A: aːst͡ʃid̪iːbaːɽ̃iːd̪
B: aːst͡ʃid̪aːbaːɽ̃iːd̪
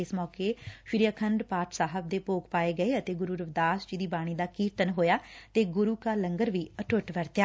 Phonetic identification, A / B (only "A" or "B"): A